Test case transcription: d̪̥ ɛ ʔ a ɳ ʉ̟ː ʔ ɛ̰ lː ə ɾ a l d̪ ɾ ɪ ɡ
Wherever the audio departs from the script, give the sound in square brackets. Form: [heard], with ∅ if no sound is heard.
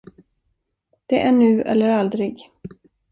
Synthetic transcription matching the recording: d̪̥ ɛ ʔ [æ] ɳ ʉ̟ː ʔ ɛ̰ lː ə ɾ a l d̪ ɾ ɪ ɡ